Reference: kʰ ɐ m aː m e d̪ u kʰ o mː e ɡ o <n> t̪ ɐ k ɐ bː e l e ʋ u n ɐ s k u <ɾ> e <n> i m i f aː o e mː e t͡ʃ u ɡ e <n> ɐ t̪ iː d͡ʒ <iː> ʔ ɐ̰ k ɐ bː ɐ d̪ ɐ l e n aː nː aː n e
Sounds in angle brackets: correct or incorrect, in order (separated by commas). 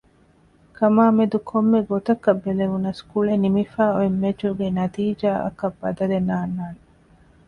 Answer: incorrect, incorrect, correct, correct, incorrect